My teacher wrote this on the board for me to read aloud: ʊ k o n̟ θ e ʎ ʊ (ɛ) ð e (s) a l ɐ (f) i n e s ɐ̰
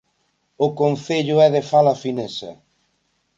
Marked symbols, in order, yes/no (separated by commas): yes, no, yes